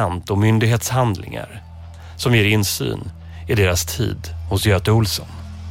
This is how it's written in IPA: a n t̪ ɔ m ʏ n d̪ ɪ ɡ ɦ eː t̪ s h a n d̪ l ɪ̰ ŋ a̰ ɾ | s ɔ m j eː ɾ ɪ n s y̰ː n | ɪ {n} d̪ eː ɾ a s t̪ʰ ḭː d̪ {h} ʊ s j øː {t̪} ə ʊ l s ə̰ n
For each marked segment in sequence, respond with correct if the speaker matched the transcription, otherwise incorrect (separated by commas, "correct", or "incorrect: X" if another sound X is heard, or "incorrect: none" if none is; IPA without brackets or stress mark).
incorrect: none, correct, correct